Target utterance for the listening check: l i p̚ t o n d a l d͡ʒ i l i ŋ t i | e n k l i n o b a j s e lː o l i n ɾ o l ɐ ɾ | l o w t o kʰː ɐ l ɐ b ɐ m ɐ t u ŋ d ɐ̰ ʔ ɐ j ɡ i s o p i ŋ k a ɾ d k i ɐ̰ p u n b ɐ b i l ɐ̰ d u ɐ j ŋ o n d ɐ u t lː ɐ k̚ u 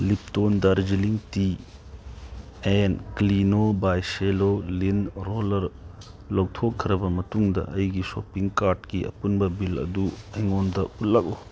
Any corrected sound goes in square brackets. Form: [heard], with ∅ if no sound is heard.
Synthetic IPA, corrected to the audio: l i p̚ t o n d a [ɾ] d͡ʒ i l i ŋ t i | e n k l i n o b a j s e [l] o l i n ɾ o l ɐ ɾ | l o w [tʰ] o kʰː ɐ [ɾ] ɐ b ɐ m ɐ t u ŋ d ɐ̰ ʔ ɐ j ɡ i s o p i ŋ k a ɾ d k i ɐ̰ p u n b ɐ b i l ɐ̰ d u ɐ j ŋ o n d ɐ u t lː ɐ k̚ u

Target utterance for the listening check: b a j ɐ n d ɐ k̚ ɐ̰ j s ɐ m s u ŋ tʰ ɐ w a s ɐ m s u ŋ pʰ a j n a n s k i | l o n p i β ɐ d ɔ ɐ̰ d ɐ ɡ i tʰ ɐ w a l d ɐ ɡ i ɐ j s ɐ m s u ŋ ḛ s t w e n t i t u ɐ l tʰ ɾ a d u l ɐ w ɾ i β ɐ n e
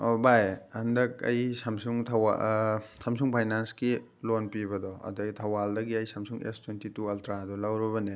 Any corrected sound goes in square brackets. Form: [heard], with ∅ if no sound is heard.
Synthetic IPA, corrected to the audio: b a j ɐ n d ɐ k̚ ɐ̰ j s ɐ m s u ŋ tʰ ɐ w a s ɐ m s u ŋ pʰ a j n a n s k i | l o n p i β ɐ d ɔ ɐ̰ d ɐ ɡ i tʰ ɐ w a l d ɐ ɡ i ɐ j s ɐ m s u ŋ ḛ s t w e n t i t u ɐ l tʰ ɾ a d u l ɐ w ɾ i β ɐ n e

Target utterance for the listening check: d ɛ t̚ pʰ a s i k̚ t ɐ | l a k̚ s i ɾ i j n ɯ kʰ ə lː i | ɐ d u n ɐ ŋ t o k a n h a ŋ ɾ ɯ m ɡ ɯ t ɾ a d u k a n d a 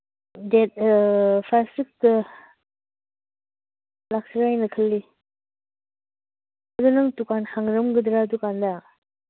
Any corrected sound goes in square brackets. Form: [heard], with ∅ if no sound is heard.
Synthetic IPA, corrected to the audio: d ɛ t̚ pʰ a s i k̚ t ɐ | l a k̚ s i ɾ [a] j n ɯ kʰ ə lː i | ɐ d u n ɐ ŋ t [u] k a n h a ŋ ɾ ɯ m ɡ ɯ [d] ɾ a d u k a n d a

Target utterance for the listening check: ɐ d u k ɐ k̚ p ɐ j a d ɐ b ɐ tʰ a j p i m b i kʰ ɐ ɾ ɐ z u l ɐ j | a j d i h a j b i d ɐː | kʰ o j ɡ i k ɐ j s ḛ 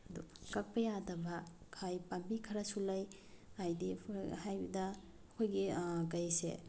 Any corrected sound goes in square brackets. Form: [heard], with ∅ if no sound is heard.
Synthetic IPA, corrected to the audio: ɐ d u k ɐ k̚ p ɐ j a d ɐ b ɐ [kʰ] a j p [a] m b i kʰ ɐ ɾ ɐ [s] u l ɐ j | a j d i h a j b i d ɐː | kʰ o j ɡ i k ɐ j s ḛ

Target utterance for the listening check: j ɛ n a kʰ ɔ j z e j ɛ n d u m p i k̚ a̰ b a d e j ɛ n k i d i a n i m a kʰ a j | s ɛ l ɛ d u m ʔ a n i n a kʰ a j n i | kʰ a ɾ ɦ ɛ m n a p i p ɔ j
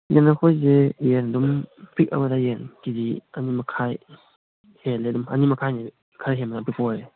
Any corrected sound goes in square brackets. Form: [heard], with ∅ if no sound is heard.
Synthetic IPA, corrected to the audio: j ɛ n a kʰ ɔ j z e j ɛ n d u m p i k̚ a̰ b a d [a] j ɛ n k i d i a n i m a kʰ a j | [h] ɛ l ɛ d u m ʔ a n i [m] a kʰ a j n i | kʰ a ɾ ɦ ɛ m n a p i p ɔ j

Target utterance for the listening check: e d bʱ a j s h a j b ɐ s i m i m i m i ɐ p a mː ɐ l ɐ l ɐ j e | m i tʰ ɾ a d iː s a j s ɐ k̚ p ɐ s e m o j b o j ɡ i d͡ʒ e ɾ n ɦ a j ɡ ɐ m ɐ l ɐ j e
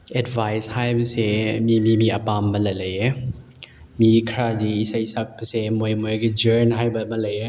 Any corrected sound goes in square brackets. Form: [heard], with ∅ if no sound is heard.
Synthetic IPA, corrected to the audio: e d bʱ a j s h a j b ɐ s [e] m i m i m i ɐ p a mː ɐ l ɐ l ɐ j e | m i [kʰ] ɾ a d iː s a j s [a] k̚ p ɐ s e m o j [m] o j ɡ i d͡ʒ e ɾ n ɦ a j [b] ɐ m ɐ l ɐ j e

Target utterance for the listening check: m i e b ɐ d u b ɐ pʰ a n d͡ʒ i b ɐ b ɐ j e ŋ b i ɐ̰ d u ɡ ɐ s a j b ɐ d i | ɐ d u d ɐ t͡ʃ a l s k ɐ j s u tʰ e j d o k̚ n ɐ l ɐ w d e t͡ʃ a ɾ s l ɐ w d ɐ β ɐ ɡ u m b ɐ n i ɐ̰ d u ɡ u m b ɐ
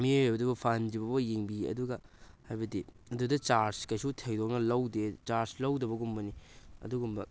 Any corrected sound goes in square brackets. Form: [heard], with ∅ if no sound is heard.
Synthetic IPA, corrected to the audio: m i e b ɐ d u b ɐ pʰ a n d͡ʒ i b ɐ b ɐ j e ŋ b i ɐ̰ d u ɡ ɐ [h] a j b ɐ d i | ɐ d u d ɐ t͡ʃ a [ɾ] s k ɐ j s u tʰ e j d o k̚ n ɐ l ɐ w d e t͡ʃ a ɾ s l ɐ w d ɐ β ɐ ɡ u m b ɐ n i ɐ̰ d u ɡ u m b ɐ

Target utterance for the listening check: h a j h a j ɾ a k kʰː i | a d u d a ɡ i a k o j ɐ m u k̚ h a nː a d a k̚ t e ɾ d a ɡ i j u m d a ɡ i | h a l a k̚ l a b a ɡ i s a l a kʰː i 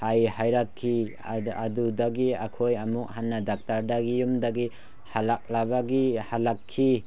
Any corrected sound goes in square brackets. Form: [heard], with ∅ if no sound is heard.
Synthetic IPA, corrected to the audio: h a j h a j ɾ a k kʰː i | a d u d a ɡ i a [kʰ] o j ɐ m u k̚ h a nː a d a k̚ t [a] ɾ d a ɡ i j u m d a ɡ i | h a l a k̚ l a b a ɡ i [h] a l a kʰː i

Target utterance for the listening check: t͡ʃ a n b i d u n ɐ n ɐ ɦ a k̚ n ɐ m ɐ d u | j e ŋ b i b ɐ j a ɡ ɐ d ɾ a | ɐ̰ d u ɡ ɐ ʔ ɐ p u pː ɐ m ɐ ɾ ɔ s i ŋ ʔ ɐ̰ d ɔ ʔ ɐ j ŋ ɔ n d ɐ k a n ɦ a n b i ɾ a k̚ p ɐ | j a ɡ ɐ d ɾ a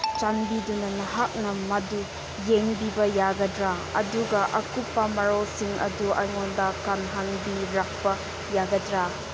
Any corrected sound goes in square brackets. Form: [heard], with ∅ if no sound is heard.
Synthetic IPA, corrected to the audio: t͡ʃ a n b i d u n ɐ n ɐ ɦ a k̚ n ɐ m ɐ d u | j e ŋ b i b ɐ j a ɡ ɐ d ɾ a | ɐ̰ d u ɡ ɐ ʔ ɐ [k] u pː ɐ m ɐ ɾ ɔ s i ŋ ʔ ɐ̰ d [u] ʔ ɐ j ŋ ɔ n d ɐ k a n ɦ a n b i ɾ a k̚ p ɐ | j a ɡ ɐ d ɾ a

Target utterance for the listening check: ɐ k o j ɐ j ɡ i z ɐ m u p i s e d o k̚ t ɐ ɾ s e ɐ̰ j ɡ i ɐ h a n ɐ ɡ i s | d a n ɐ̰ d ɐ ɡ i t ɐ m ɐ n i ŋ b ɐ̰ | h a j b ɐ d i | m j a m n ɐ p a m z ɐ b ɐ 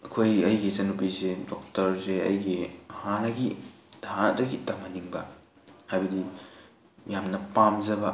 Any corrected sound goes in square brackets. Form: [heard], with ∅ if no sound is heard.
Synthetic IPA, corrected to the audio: ɐ [kʰ] o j ɐ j ɡ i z ɐ [n] u p i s e d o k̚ t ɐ ɾ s e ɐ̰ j ɡ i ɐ h a n ɐ ɡ i [∅] | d a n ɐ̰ d ɐ ɡ i t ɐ m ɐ n i ŋ b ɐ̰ | h a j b ɐ d i | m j a m n ɐ p a m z ɐ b ɐ

